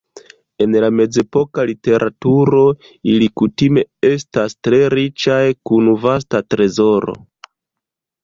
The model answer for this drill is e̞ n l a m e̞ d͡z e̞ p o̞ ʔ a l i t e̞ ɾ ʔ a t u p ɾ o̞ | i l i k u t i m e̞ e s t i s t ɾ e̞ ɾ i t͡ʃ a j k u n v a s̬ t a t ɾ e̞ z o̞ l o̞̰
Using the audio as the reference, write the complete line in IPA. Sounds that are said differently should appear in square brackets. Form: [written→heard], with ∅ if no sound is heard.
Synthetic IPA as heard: e̞ n l a m e̞ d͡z e̞ p o̞ [ʔ→k] a l i t e̞ ɾ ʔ a t u [p→∅] ɾ o̞ | i l i k u t i m e̞ e s t [i→a] s t ɾ e̞ ɾ i t͡ʃ a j k u n v a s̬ t a t ɾ e̞ z o̞ [l→ɾ] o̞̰